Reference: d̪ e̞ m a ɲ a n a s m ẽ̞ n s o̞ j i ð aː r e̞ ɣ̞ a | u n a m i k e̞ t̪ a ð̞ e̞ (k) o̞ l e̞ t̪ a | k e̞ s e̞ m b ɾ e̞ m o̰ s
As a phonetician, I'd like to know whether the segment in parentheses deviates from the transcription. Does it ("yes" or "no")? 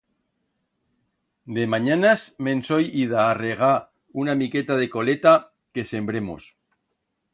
no